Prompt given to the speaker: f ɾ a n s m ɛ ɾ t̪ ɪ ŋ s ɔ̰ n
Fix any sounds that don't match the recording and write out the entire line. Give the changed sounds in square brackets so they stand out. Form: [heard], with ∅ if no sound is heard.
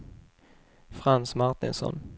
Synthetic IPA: f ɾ a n s m [a] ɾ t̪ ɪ [n] s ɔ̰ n